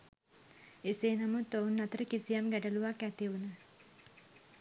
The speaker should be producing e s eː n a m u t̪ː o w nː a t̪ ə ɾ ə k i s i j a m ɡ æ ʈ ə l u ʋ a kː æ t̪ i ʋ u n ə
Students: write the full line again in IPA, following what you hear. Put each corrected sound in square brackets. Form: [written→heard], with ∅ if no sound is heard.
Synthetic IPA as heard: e s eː n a m u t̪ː o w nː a t̪ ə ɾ ə k i s i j a m ɡ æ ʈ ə l u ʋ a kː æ t̪ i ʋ u n ə